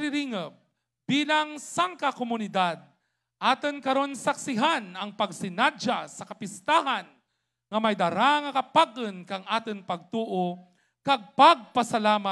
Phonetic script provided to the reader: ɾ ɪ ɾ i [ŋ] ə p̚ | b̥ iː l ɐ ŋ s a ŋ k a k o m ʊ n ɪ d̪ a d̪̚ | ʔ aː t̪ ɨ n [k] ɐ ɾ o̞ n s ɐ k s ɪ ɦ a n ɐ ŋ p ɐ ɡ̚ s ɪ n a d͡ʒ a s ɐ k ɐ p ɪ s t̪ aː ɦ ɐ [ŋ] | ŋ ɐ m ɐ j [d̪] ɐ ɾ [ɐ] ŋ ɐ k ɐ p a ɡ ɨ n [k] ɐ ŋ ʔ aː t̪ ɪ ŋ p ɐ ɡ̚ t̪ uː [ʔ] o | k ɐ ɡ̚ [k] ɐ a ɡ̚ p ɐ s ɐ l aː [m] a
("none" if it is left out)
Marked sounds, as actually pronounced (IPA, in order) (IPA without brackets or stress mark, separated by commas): ŋ, k, n, d̪, a, k, ʔ, p, m